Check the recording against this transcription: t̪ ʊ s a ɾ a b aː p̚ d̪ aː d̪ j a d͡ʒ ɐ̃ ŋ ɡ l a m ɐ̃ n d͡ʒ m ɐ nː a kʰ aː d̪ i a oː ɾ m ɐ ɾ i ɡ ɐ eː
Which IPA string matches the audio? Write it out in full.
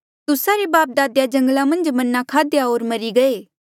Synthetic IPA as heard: t̪ ʊ s a ɾ e b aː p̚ d̪ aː d̪ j a d͡ʒ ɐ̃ ŋ ɡ l a m ɐ̃ n d͡ʒ m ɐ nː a kʰ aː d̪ j a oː ɾ m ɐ ɾ i ɡ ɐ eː

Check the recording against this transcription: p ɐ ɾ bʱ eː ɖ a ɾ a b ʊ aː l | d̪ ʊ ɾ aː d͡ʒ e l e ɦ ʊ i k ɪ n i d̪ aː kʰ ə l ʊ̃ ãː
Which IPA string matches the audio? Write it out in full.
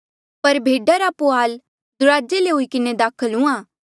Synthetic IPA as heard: p ɐ ɾ bʱ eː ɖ a ɾ a p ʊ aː l | d̪ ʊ ɾ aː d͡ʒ e l e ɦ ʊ i k ɪ n e d̪ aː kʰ ə l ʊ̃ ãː

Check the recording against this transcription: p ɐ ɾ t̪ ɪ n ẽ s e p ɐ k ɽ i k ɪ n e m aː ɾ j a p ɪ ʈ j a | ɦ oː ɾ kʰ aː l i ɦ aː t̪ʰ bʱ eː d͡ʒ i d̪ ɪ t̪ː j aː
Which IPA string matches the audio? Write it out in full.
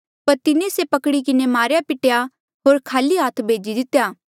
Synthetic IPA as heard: p ɐ ɾ t̪ ɪ n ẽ s e p ɐ k ɽ i k ɪ n e m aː ɾ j a p ɪ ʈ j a | ɦ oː ɾ kʰ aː l i ɦ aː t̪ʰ bʱ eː d͡ʒ i d̪ ɪ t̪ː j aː

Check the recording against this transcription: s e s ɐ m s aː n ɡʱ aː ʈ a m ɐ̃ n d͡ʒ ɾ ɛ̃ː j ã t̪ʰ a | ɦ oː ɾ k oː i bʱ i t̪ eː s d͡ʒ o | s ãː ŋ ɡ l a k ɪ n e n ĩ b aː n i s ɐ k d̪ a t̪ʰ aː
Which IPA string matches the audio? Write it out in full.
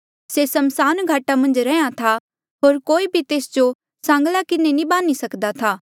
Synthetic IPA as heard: s e s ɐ m s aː n ɡʱ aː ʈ a m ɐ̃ n d͡ʒ ɾ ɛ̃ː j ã t̪ʰ a | ɦ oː ɾ k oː i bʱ i t̪ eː s d͡ʒ o | s ãː ŋ ɡ l a k ɪ n e n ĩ b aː n i s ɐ k d̪ a t̪ʰ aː

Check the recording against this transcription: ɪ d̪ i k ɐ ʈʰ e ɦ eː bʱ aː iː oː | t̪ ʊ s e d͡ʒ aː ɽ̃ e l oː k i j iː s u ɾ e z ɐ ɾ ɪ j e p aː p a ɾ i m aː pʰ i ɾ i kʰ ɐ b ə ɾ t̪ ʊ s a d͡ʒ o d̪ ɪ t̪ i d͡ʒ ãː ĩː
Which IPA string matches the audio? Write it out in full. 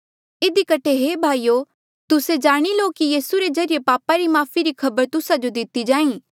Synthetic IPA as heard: ɪ d̪ i k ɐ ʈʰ e ɦ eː bʱ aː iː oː | t̪ ʊ s e d͡ʒ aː ɽ̃ i l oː k i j iː s u ɾ e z ɐ ɾ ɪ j e p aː p a ɾ i m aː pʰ i ɾ i kʰ ɐ b ə ɾ t̪ ʊ s a d͡ʒ o d̪ ɪ t̪ i d͡ʒ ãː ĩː

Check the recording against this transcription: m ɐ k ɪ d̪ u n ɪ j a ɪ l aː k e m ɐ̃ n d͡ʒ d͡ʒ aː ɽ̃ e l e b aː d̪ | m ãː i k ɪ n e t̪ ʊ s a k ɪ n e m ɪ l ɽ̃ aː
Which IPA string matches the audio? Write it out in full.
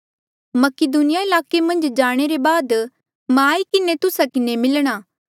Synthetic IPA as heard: m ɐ k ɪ d̪ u n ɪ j a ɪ l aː k e m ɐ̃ n d͡ʒ d͡ʒ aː ɽ̃ e ɾ e b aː d̪ | m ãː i k ɪ n e t̪ ʊ s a k ɪ n e m ɪ l ɽ̃ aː

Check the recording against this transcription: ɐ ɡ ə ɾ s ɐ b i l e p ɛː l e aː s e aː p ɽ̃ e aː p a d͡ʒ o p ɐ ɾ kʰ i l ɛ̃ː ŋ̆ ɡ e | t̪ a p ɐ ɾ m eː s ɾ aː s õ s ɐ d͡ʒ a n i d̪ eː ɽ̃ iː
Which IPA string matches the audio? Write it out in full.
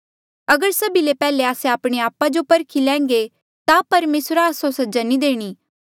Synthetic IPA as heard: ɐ ɡ ə ɾ s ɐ b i l e p ɛː l e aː s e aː p ɽ̃ e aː p a d͡ʒ o p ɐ ɾ kʰ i l ɛ̃ː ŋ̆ ɡ e | t̪ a p ɐ ɾ m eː s ɾ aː s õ s ɐ d͡ʒ a n i d̪ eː ɽ̃ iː

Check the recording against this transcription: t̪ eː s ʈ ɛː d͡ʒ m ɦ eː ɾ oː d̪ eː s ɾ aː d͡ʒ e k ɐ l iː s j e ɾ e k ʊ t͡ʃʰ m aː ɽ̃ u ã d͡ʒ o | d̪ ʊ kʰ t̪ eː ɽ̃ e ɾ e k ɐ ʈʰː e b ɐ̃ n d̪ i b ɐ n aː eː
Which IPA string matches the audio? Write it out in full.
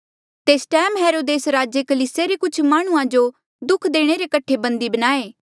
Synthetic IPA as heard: t̪ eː s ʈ ɛː m ɦ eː ɾ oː d̪ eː s ɾ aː d͡ʒ e k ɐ l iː s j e ɾ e k ʊ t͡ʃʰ m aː ɽ̃ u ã d͡ʒ o | d̪ ʊ kʰ d̪ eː ɽ̃ e ɾ e k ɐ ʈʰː e b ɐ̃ n d̪ i b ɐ n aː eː

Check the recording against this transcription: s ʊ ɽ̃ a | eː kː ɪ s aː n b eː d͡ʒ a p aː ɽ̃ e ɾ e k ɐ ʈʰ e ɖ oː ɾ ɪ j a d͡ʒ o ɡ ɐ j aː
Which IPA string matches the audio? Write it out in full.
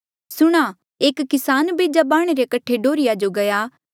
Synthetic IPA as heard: s ʊ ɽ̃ a | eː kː ɪ s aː n b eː d͡ʒ a b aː ɽ̃ e ɾ e k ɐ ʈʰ e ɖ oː ɾ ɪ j a d͡ʒ o ɡ ɐ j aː

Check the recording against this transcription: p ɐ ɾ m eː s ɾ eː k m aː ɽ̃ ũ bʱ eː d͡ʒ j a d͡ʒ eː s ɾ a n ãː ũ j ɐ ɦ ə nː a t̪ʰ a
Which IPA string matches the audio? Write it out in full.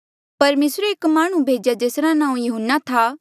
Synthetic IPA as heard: p ɐ ɾ m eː s ɾ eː k m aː ɽ̃ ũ bʱ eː d͡ʒ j a d͡ʒ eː s ɾ a n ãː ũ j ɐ ɦ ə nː a t̪ʰ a

